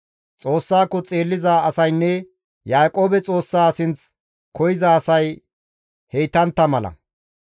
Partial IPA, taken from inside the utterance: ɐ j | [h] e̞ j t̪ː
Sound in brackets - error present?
no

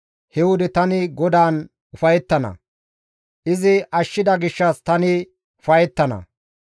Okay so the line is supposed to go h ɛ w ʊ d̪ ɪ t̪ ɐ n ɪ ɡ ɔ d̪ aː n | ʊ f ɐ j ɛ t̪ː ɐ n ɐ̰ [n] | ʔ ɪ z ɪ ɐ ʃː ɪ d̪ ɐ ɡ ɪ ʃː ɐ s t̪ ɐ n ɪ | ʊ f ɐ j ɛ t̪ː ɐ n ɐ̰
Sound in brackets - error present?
yes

